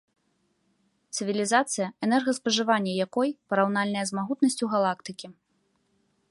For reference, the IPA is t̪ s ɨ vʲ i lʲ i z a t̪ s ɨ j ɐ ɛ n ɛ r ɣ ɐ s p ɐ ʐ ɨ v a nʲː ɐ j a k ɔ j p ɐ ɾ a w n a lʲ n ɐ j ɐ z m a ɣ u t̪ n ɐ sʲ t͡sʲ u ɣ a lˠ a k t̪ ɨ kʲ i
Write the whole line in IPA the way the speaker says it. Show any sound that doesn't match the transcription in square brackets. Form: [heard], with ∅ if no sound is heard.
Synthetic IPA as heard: t̪ s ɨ vʲ i lʲ i z a t̪ s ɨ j ɐ ɛ n ɛ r ɣ ɐ s p ɐ ʐ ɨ v a nʲː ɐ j a k ɔ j p ɐ ɾ a w n a lʲ n ɐ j ɐ z m a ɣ u t̪ n ɐ sʲ t͡sʲ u ɣ a lˠ a k t̪ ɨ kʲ i